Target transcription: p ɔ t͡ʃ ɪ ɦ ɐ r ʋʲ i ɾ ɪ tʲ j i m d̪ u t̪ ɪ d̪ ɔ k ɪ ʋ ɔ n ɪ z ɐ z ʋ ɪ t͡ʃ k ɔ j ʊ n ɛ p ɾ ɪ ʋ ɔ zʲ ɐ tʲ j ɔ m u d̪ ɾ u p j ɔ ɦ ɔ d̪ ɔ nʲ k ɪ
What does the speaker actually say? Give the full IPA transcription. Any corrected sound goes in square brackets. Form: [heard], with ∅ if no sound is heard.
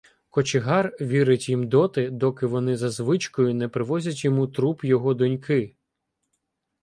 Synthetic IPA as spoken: [k] ɔ t͡ʃ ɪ ɦ [ɑ] r ʋʲ i ɾ ɪ tʲ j i m d̪ [ɔ] t̪ ɪ d̪ ɔ k ɪ ʋ ɔ n ɪ z ɐ z ʋ ɪ t͡ʃ k ɔ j ʊ n ɛ p ɾ ɪ ʋ ɔ zʲ ɐ tʲ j ɔ m u [t̪] ɾ u p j ɔ ɦ ɔ d̪ ɔ nʲ k ɪ